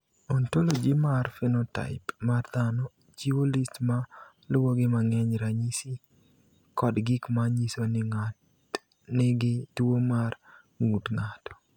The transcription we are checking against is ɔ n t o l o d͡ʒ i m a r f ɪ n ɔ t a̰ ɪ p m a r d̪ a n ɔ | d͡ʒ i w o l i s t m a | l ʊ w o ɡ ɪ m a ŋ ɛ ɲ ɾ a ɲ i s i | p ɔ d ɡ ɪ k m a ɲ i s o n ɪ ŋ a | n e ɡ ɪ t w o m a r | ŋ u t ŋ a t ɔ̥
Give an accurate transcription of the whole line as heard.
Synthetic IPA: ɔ n t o l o d͡ʒ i m a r f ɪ n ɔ t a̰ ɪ p m a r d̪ a n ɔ | d͡ʒ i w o l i s t m a | l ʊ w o ɡ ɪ m a ŋ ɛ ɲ ɾ a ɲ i s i | k ɔ d ɡ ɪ k m a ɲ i s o n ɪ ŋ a | n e ɡ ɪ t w o m a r | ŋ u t ŋ a t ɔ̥